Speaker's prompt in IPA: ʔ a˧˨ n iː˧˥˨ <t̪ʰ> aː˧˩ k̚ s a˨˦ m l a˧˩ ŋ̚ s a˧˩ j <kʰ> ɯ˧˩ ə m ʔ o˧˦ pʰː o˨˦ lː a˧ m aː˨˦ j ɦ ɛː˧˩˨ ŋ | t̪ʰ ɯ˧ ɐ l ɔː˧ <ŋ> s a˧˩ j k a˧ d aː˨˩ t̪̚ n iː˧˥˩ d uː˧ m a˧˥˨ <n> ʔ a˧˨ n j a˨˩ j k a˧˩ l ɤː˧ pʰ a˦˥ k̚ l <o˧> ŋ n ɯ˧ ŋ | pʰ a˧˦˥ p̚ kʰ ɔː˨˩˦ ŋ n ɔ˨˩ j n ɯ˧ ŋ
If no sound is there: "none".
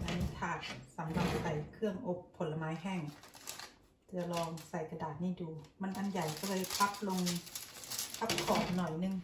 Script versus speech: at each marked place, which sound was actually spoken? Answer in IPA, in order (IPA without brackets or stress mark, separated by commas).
t̪ʰ, kʰ, ŋ, n, o˧